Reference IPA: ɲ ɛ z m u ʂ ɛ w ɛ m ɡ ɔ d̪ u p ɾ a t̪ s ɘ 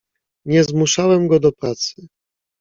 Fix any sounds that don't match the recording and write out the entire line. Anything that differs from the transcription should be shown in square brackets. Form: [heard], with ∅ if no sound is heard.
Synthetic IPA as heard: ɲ ɛ z m u ʂ [a] w ɛ m ɡ ɔ d̪ [ɔ] p ɾ a t̪ s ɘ